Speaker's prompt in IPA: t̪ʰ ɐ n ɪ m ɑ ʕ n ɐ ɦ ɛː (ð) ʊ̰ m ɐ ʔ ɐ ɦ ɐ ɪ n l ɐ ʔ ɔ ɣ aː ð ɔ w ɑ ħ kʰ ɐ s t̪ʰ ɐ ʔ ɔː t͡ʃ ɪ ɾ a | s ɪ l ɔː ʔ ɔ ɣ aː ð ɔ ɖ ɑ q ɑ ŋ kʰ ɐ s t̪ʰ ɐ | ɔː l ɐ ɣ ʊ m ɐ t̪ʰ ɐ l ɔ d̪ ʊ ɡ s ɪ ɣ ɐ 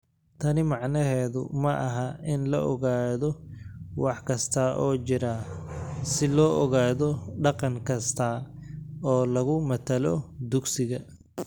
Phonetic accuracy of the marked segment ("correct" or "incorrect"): correct